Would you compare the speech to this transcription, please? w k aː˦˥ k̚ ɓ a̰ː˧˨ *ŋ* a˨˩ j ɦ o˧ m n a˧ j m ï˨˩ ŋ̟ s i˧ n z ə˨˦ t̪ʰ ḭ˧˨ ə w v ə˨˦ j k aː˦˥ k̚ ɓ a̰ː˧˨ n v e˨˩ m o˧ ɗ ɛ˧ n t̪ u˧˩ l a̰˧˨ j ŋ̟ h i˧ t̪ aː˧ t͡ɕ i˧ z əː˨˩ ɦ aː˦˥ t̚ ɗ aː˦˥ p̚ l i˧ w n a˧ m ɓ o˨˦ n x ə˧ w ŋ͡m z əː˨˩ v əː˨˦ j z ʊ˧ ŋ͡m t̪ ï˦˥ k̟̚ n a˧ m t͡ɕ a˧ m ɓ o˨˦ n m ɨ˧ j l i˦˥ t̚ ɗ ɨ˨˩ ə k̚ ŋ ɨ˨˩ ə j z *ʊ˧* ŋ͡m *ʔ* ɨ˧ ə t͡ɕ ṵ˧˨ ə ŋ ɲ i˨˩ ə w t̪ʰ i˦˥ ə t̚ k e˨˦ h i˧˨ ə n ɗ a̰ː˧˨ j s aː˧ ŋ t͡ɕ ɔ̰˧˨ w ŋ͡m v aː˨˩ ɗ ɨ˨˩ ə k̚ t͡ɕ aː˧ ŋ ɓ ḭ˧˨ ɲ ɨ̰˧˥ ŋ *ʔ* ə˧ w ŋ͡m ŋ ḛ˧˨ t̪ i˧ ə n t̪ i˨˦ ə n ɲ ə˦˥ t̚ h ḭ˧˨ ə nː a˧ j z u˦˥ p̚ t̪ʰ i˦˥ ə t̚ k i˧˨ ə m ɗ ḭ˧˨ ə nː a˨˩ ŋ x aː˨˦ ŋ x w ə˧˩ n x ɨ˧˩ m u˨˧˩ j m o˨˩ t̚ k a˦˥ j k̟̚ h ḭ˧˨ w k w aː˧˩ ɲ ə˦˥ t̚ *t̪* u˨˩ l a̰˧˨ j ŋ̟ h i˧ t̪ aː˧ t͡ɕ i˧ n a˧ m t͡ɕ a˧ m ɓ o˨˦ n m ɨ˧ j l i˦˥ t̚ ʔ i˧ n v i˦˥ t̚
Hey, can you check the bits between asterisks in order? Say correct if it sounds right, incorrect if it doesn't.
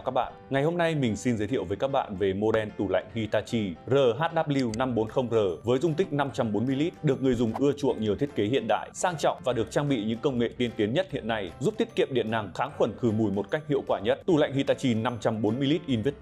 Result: correct, incorrect: ʊ˨˩, correct, incorrect: k, correct

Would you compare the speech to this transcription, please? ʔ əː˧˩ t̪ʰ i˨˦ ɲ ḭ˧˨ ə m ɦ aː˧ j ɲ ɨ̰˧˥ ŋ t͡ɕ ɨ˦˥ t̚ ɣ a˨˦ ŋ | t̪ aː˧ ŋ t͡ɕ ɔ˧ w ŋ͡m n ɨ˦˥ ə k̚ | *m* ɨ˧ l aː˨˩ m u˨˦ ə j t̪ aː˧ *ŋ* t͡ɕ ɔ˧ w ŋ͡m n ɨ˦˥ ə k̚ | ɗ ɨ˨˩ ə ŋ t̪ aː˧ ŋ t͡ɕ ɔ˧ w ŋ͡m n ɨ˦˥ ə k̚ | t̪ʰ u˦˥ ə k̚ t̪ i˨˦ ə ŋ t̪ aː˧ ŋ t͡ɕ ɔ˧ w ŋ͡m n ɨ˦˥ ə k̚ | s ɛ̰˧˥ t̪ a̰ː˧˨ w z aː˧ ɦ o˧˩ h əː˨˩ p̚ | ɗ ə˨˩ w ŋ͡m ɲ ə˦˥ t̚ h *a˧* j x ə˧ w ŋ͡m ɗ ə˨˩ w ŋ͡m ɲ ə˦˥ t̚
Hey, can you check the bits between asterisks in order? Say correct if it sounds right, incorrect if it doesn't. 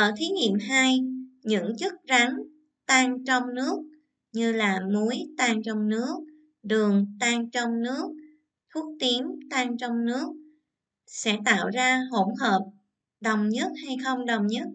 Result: incorrect: ɲ, correct, correct

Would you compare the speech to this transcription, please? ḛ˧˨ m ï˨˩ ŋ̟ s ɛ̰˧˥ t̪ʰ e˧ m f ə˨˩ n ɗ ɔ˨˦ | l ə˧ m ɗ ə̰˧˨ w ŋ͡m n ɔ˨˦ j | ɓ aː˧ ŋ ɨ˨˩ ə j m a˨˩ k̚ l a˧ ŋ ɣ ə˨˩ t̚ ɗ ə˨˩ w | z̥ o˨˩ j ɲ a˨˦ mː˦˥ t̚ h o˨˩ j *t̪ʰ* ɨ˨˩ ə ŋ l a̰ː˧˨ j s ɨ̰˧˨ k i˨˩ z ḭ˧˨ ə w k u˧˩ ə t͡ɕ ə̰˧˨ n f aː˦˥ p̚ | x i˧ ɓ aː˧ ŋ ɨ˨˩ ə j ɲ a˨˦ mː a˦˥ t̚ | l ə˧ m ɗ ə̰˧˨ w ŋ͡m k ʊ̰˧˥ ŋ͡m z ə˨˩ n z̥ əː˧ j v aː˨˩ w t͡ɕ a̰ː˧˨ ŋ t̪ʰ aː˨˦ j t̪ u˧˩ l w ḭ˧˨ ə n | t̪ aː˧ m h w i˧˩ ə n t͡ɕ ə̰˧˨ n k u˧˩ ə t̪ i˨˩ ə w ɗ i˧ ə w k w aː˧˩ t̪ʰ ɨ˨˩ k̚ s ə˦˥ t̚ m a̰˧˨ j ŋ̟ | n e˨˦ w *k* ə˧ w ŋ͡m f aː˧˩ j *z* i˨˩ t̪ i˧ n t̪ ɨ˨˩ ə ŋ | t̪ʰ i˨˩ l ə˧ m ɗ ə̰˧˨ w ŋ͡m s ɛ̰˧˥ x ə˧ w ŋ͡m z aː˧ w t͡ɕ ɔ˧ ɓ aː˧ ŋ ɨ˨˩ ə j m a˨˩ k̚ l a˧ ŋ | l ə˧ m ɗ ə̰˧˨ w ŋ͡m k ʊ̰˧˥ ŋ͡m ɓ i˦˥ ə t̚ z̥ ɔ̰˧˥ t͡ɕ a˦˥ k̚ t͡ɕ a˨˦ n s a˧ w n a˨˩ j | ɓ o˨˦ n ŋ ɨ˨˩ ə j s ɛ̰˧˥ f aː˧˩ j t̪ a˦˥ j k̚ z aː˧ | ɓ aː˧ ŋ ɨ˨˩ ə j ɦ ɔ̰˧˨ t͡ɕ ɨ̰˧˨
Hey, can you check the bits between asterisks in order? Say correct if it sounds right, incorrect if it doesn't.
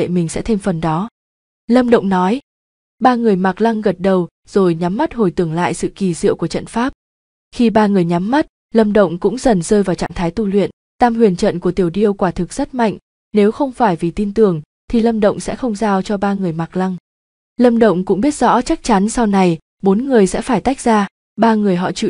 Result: incorrect: t̪, incorrect: x, incorrect: v

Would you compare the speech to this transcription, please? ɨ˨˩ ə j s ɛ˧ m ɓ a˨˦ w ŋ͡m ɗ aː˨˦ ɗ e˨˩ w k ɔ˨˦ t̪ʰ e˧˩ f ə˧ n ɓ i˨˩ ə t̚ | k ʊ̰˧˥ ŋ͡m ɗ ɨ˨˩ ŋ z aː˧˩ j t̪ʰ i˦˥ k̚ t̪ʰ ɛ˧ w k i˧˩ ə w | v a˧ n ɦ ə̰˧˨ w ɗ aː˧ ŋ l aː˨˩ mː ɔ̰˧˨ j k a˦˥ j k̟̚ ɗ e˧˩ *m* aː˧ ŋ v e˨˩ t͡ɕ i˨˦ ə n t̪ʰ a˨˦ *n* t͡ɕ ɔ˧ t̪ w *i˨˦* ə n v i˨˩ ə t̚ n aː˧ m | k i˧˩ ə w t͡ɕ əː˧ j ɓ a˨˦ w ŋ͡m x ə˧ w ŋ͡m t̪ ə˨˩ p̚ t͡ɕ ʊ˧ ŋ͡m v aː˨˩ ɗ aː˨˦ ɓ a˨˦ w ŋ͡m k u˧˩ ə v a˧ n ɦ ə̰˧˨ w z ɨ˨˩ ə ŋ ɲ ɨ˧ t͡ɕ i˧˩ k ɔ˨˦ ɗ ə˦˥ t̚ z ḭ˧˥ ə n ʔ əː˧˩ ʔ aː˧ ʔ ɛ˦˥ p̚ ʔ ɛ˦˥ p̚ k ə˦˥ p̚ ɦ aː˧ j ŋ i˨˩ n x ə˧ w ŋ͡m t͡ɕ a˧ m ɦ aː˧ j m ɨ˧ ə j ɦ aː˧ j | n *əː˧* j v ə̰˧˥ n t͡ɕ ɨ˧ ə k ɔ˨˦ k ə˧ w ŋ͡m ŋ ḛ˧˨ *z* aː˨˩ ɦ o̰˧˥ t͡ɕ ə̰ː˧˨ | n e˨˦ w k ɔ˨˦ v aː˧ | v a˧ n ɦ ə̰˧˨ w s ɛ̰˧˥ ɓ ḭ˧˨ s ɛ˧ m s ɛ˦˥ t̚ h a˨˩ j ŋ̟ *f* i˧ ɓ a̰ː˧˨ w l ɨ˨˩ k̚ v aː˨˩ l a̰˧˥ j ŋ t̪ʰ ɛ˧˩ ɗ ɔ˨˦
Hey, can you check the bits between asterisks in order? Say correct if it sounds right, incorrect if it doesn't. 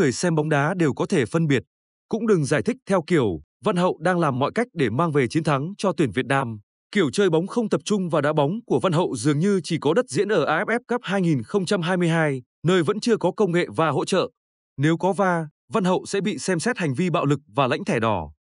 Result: correct, incorrect: ŋ, incorrect: i˧˩, correct, incorrect: v, incorrect: v

